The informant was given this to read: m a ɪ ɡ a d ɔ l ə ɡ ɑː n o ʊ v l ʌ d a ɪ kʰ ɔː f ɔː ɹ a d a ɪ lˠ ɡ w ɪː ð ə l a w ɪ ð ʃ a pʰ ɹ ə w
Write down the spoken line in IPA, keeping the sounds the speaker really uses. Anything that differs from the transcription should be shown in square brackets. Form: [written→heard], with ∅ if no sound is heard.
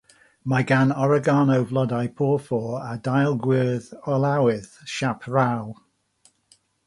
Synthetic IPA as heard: m a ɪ ɡ a [d→n] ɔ [l→ɹ] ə ɡ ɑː n o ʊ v l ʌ d a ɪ [kʰ→pʰ] ɔː f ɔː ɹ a d a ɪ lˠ ɡ w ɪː ð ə l a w ɪ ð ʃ a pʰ ɹ [ə→a] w